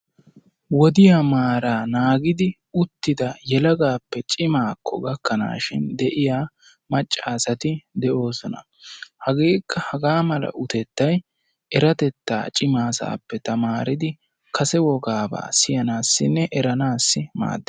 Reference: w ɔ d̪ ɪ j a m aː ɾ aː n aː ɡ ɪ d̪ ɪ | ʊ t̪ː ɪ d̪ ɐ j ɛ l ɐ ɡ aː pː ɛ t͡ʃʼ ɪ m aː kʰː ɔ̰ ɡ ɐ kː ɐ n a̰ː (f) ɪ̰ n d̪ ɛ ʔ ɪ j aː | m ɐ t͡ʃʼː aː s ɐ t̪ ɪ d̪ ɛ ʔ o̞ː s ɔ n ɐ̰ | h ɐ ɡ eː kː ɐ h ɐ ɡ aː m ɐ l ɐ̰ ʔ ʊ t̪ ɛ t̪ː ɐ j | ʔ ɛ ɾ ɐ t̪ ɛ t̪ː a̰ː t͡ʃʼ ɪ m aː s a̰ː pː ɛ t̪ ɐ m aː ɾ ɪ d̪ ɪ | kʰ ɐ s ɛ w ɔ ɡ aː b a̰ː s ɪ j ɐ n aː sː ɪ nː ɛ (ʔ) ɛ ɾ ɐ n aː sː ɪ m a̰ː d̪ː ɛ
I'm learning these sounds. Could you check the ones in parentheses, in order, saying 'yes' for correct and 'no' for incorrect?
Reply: no, yes

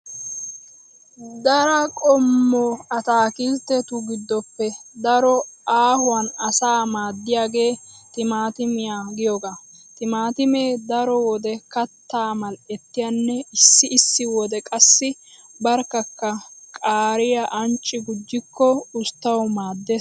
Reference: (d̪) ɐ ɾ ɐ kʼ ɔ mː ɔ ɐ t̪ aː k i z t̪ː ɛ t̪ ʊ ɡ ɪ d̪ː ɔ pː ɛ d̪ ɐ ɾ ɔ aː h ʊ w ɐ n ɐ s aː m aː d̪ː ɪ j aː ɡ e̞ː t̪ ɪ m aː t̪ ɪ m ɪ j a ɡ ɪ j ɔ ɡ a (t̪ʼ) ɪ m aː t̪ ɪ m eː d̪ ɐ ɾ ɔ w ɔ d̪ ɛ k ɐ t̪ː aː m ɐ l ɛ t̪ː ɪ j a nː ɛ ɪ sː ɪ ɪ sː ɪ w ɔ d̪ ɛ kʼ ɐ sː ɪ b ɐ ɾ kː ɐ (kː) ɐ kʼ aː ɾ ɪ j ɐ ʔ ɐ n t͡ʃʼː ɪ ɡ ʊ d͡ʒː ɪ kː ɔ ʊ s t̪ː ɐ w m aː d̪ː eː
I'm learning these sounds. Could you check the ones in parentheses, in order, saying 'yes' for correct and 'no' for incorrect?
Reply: yes, no, yes

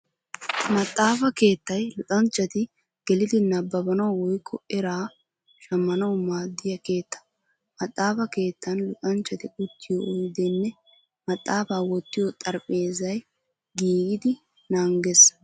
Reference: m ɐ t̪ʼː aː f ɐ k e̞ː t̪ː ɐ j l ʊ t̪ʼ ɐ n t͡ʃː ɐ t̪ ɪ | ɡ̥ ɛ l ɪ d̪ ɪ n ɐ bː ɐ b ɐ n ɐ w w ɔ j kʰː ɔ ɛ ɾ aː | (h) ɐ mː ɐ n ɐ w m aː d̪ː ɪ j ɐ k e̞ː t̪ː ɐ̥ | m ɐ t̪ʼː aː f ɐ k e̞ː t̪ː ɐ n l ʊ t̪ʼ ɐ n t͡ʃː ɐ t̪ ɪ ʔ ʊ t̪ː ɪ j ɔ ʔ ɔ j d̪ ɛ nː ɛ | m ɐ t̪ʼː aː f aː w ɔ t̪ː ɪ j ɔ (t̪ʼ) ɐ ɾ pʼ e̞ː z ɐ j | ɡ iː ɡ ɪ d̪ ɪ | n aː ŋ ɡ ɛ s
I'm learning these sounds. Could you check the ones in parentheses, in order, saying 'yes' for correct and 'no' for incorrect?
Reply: no, yes

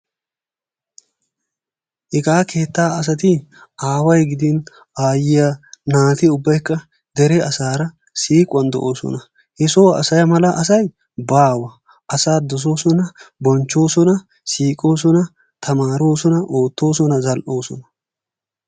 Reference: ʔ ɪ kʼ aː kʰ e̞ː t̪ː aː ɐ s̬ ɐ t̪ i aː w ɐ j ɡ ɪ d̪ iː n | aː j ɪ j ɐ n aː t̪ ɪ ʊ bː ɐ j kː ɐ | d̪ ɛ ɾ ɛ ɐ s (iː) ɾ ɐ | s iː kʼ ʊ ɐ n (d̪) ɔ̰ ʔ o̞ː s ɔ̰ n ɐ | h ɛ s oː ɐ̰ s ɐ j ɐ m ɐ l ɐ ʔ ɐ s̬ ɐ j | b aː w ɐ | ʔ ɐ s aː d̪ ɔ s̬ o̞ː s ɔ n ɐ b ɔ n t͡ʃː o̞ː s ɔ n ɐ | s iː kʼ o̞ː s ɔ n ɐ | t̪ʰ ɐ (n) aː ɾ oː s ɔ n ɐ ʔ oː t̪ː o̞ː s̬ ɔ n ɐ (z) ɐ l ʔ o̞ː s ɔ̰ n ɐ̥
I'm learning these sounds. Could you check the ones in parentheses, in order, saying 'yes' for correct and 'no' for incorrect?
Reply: no, yes, no, yes

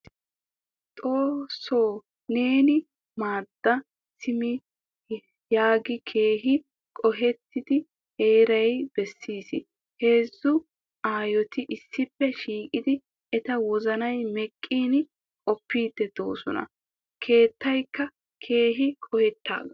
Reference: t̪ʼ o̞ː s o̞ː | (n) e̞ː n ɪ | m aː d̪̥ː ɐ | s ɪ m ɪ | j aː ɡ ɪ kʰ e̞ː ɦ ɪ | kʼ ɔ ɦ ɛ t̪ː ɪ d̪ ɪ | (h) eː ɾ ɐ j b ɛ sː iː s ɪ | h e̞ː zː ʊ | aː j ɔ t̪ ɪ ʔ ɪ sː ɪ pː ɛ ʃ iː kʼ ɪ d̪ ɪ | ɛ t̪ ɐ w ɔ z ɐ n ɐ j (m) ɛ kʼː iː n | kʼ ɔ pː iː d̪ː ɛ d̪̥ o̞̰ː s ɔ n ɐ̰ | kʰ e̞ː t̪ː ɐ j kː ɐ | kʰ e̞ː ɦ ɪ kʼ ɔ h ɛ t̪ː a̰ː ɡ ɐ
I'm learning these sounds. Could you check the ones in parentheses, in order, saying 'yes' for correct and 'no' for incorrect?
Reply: yes, yes, yes

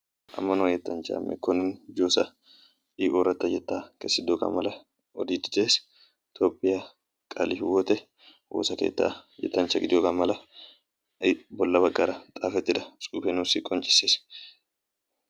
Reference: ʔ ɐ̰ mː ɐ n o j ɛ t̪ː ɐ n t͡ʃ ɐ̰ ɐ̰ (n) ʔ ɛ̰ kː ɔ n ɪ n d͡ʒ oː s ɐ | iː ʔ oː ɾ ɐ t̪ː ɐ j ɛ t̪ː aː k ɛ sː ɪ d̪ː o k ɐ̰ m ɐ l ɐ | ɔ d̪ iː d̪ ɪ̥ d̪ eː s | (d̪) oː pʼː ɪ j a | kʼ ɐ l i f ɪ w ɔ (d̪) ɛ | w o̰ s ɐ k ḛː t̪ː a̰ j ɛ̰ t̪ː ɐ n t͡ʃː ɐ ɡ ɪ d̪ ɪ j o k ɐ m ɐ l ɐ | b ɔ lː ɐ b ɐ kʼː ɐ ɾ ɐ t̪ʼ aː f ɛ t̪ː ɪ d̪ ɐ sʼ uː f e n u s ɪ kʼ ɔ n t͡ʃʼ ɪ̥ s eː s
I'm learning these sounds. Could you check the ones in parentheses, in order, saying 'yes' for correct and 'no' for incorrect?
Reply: no, no, no

